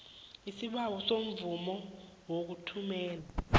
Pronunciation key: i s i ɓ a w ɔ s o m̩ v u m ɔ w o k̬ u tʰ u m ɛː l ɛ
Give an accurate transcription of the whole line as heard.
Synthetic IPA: i s i ɓ a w ɔ s o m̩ v u m ɔ w o k̬ u tʰ u m ɛː l a